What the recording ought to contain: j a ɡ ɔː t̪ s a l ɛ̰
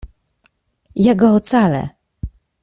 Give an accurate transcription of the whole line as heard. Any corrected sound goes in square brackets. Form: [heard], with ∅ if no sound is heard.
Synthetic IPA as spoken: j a ɡ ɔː t̪ s a l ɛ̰